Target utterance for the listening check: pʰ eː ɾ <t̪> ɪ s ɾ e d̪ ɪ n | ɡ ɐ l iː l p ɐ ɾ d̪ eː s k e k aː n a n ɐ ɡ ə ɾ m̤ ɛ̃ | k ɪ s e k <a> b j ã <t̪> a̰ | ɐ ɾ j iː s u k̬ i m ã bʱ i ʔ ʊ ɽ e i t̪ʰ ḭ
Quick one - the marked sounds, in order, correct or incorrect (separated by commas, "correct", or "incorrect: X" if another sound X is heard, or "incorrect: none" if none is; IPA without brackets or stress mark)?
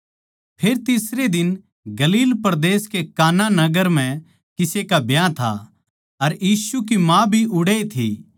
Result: correct, correct, incorrect: t̪ʰ